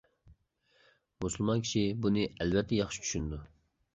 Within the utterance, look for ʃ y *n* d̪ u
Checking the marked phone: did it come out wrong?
no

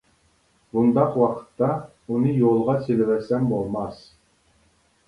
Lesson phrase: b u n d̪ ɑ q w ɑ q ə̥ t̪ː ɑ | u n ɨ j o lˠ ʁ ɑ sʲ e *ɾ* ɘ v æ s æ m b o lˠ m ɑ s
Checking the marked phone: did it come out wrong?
yes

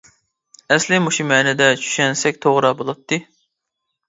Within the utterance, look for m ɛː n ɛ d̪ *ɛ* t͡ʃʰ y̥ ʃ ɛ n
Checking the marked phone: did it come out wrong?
no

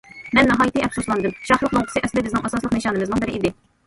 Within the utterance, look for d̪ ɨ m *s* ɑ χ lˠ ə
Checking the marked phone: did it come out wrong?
yes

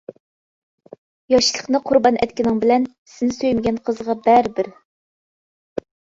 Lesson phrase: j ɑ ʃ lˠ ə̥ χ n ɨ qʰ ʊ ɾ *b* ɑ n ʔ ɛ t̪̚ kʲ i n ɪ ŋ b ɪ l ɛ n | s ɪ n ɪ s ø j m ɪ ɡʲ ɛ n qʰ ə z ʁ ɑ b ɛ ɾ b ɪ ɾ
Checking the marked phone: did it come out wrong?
no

